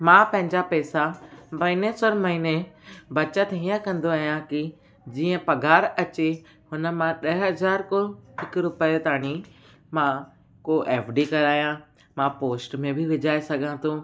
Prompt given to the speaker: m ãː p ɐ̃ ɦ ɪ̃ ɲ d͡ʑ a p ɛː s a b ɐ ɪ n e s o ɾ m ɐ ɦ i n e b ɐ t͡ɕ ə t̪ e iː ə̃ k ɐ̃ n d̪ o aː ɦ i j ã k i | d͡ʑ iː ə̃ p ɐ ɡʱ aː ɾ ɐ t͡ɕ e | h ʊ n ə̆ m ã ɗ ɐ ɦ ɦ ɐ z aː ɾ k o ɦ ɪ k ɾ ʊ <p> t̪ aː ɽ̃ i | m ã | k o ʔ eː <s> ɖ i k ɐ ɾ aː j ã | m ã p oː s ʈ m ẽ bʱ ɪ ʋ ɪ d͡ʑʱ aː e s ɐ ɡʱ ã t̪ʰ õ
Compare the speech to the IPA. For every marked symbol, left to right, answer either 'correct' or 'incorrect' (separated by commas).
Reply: correct, incorrect